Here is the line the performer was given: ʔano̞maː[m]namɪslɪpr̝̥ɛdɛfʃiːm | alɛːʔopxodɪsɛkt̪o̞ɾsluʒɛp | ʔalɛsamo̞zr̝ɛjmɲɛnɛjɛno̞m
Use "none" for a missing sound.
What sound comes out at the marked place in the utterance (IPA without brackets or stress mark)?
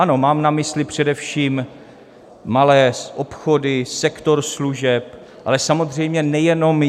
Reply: m